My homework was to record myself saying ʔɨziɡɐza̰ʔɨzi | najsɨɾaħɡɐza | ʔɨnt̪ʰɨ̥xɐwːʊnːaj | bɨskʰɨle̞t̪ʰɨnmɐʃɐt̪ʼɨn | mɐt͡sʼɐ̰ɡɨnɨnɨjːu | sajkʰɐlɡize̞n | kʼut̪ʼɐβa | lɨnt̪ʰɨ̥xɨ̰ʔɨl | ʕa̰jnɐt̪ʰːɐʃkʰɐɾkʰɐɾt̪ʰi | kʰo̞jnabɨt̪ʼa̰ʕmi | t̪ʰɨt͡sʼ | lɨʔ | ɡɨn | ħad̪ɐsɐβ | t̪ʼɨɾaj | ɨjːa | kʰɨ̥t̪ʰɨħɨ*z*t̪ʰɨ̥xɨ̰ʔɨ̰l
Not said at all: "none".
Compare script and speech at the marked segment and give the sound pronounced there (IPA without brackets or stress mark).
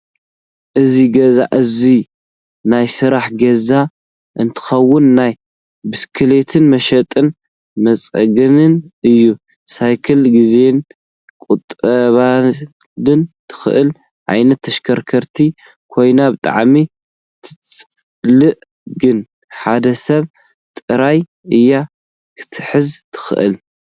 z